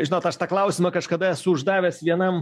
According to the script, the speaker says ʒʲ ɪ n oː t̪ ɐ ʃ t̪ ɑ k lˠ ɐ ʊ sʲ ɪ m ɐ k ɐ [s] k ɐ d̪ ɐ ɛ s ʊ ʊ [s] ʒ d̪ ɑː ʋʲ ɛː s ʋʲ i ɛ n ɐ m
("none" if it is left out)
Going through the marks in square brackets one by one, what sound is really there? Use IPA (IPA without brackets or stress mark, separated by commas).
ʃ, none